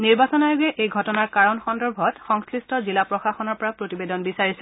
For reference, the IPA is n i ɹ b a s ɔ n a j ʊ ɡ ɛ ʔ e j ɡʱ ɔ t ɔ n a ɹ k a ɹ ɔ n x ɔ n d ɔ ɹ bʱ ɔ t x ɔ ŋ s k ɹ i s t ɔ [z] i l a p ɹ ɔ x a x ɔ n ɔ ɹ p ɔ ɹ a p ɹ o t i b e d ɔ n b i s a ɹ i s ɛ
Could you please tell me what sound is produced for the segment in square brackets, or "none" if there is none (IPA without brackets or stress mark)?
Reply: z